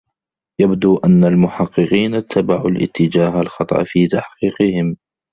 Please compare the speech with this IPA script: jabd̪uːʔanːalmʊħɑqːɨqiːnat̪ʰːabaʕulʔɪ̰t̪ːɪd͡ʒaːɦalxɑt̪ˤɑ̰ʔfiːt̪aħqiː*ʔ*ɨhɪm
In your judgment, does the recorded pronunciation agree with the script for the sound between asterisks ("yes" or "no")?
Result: no